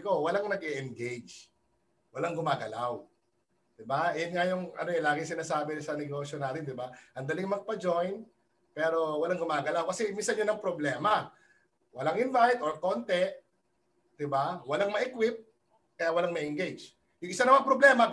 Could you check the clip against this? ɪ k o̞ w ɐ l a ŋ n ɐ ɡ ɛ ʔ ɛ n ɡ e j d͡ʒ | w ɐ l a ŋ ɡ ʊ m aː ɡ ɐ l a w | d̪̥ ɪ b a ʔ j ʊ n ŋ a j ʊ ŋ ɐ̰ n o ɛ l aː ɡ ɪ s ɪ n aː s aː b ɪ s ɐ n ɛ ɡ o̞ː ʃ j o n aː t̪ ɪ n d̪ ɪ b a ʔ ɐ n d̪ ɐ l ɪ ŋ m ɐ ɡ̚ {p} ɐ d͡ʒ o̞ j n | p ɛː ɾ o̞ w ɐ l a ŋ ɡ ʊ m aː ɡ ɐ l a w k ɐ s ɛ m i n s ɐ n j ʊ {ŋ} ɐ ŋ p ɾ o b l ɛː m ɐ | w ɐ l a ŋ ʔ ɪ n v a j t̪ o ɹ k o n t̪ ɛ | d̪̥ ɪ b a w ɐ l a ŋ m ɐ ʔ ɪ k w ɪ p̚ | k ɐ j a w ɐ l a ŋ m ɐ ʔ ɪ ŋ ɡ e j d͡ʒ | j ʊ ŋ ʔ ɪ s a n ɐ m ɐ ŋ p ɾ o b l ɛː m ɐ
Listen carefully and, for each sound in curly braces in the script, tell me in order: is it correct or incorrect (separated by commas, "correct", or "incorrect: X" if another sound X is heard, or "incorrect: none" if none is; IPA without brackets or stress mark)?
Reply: correct, incorrect: n